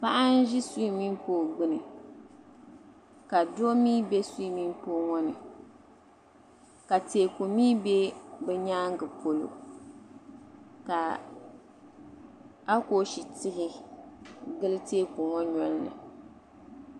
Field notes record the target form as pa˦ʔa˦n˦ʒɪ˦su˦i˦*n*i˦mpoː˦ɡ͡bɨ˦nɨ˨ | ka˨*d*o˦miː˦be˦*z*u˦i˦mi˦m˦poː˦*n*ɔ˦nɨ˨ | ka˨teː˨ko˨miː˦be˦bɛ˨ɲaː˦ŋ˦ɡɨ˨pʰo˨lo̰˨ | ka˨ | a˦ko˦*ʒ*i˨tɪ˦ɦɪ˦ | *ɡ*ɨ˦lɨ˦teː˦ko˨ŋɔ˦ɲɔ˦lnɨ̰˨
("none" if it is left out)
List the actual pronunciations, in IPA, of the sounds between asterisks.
m, d, s, ŋ, ʃ, ɡ

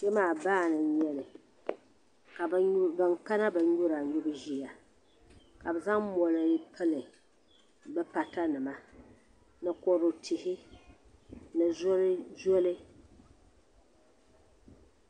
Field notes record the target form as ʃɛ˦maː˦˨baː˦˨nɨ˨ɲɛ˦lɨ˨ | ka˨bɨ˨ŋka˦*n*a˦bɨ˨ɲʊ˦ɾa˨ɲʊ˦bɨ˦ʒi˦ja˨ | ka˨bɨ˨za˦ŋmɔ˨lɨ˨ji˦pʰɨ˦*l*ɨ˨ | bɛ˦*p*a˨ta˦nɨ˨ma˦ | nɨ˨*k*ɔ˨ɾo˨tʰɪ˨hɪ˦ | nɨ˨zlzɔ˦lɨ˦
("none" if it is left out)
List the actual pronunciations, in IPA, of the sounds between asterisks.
n, l, p, k

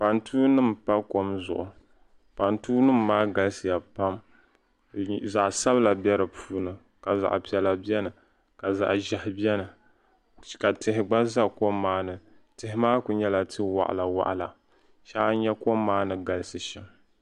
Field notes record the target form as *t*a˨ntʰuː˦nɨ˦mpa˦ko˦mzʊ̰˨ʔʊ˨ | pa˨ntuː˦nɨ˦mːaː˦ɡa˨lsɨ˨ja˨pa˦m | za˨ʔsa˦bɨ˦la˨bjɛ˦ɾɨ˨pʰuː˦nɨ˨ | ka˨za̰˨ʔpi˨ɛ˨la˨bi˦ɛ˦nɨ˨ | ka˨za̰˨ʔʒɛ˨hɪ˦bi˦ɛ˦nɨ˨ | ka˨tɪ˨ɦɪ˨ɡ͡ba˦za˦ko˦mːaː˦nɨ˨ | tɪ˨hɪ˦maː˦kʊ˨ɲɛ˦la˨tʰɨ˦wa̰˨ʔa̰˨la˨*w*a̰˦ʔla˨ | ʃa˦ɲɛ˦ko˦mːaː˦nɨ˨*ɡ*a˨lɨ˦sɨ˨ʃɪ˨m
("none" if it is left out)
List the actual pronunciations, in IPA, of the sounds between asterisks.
p, w, ɡ

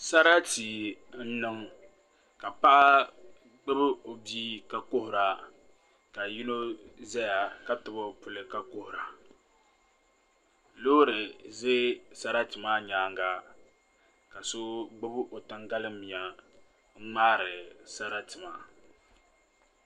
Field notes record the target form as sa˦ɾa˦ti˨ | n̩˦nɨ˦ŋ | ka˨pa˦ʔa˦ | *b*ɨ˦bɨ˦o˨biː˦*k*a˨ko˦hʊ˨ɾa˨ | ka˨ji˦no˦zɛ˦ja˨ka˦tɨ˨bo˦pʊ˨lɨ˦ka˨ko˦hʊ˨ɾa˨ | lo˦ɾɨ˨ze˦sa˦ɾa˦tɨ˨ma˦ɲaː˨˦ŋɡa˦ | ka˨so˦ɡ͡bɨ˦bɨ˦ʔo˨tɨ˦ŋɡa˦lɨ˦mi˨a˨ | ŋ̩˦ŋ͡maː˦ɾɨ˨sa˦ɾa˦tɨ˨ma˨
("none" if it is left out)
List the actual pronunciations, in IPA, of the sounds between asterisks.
ɡ͡b, k

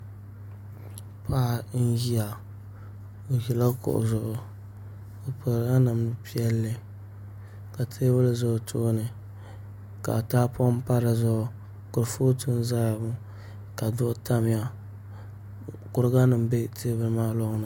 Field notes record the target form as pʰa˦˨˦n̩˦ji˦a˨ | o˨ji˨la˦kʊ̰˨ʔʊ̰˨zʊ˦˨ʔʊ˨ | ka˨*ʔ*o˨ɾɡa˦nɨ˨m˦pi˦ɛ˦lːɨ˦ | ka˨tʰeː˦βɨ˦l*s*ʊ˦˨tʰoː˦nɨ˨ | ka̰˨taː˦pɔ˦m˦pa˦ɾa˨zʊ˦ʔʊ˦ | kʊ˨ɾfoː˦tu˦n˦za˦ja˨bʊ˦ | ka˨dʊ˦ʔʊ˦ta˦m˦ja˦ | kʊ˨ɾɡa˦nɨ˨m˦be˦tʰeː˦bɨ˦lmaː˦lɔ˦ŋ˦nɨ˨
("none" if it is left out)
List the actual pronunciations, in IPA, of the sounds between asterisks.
p, z

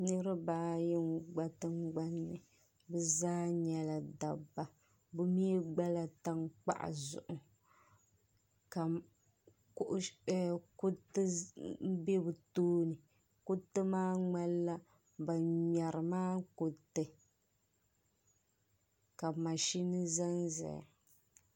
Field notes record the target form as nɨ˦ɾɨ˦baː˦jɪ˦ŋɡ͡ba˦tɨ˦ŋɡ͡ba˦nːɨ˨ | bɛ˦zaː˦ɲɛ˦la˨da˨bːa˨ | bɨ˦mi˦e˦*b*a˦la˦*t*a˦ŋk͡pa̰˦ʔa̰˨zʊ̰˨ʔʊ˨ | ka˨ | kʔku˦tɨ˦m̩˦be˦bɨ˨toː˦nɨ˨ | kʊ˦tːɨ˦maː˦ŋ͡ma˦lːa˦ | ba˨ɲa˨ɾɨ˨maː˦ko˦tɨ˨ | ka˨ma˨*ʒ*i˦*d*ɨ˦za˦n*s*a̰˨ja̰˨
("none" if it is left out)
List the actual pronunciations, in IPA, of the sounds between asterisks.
ɡ͡b, t, ʃ, n, z

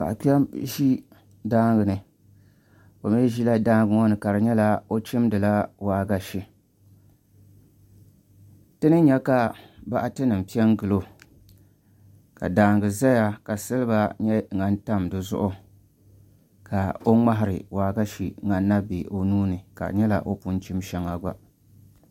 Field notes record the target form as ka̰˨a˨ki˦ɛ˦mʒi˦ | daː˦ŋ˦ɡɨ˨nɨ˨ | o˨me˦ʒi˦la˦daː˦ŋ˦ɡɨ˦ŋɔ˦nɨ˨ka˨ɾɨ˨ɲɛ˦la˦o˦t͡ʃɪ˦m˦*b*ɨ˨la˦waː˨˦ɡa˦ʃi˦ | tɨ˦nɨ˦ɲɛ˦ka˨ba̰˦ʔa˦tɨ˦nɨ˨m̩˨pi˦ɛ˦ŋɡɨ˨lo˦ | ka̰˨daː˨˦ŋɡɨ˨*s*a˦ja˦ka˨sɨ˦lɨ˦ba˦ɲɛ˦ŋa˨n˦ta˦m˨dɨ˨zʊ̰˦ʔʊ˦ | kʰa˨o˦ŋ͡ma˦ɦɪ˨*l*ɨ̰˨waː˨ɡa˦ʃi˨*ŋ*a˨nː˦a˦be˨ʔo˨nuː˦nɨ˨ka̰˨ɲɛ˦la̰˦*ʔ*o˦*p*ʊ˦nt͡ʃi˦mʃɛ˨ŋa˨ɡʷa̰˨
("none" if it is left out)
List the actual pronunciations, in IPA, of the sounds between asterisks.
d, z, ɾ, ŋ, ʔ, p

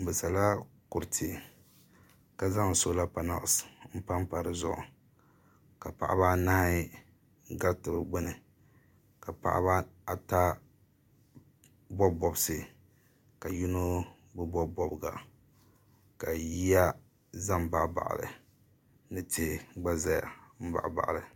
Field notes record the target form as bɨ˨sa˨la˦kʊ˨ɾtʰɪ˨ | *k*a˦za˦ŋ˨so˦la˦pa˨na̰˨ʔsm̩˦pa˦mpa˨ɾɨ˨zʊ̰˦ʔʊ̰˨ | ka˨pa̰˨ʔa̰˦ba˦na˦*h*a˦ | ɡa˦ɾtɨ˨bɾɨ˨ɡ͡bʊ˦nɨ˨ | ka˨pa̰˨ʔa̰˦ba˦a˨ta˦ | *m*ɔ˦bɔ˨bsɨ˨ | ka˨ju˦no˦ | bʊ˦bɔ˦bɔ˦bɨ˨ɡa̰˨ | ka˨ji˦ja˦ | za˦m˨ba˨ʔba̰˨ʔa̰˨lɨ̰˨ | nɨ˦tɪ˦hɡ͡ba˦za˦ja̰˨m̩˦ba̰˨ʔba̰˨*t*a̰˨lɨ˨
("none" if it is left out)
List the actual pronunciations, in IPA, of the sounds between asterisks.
k, h, b, ʔ

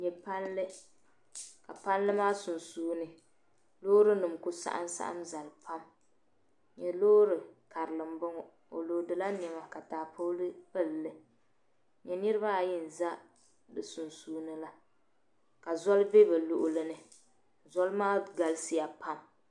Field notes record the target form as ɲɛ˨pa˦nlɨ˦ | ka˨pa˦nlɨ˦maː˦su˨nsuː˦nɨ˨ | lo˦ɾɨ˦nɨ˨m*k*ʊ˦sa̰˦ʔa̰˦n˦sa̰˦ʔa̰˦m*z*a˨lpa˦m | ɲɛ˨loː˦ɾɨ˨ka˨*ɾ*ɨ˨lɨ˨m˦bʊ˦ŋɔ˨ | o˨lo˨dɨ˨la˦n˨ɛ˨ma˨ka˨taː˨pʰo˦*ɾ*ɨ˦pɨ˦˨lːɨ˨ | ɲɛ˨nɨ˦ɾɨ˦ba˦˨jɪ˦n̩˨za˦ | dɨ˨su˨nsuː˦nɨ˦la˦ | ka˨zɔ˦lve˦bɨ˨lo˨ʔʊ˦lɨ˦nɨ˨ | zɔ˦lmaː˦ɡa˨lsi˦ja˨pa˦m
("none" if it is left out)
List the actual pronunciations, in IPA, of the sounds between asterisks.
k, z, ɾ, l

